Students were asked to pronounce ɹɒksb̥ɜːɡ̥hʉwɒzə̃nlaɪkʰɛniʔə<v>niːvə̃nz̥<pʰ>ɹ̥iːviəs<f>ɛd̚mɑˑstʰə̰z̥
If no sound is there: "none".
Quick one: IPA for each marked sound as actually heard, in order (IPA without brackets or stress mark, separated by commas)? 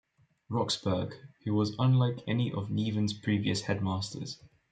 v, pʰ, h